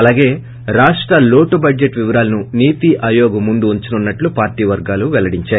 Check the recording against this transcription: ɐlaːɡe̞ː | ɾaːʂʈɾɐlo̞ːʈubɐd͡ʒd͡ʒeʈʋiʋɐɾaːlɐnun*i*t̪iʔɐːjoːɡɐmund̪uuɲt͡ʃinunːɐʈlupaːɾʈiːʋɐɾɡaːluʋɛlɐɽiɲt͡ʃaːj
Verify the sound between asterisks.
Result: incorrect: iː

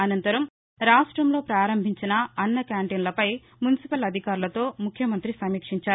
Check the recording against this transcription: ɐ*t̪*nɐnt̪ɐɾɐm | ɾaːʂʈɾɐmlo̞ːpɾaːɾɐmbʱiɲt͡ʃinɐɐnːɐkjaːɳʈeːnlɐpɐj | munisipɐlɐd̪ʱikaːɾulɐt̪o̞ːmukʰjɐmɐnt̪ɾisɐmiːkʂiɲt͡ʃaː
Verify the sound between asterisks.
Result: incorrect: none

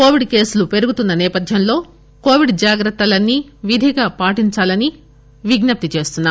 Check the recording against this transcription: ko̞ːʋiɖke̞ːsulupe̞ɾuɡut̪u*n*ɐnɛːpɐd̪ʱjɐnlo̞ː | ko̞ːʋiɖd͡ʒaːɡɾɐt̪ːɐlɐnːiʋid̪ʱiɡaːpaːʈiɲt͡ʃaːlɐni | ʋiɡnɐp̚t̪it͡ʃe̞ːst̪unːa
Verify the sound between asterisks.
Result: incorrect: nː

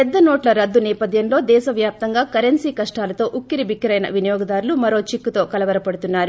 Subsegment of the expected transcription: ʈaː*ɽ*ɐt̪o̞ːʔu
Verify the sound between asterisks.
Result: incorrect: l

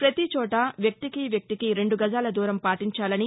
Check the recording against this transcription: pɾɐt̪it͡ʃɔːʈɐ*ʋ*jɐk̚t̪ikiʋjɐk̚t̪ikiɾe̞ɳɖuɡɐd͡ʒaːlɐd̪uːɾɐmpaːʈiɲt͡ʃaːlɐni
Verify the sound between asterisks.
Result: correct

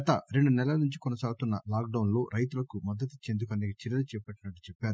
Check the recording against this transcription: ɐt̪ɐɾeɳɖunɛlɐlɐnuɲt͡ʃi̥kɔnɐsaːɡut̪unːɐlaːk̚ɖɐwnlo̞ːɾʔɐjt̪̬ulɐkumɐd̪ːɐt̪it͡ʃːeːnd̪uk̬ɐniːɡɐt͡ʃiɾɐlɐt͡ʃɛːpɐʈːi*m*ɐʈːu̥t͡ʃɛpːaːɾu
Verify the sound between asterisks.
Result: incorrect: n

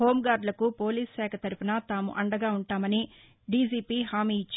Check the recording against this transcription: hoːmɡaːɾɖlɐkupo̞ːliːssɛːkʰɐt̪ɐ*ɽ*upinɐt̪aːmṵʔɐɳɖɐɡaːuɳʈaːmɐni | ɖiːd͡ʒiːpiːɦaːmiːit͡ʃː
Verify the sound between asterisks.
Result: incorrect: ɾ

